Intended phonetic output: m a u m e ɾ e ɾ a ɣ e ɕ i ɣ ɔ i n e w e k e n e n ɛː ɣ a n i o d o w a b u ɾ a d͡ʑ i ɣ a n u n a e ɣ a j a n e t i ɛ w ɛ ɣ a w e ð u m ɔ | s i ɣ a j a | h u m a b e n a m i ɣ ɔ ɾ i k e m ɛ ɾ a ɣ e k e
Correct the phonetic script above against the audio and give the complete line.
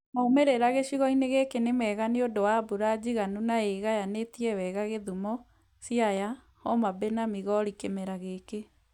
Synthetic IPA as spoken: m a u m e ɾ e ɾ a ɣ e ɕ i ɣ ɔ i n e ɣ e k e n e m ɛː ɣ a n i o d o w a b u ɾ a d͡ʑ i ɣ a n u n a e ɣ a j a n e t i ɛ w ɛ ɣ a ɣ e ð u m ɔ | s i a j a | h ɔ m a b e n a m i ɣ ɔ ɾ i k e m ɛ ɾ a ɣ e k e